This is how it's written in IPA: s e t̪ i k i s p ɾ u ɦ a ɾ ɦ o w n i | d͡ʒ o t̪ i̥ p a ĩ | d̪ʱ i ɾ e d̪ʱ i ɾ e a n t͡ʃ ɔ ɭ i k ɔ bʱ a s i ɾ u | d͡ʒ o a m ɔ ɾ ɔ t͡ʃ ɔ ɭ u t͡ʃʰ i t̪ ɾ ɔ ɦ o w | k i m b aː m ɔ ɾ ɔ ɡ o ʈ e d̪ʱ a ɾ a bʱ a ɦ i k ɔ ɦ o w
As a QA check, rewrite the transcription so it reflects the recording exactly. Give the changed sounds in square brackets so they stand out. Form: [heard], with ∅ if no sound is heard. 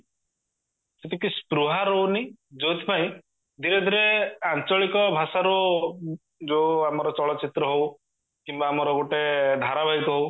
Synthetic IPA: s e t̪ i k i s p ɾ u ɦ a ɾ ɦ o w n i | d͡ʒ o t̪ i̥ p a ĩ | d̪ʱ i ɾ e d̪ʱ i ɾ e a n t͡ʃ ɔ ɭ i k ɔ bʱ a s [a] ɾ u | d͡ʒ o a m ɔ ɾ ɔ t͡ʃ ɔ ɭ [ɔ] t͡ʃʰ i t̪ ɾ ɔ ɦ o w | k i m b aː m ɔ ɾ ɔ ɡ o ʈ e d̪ʱ a ɾ a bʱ a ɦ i k ɔ ɦ o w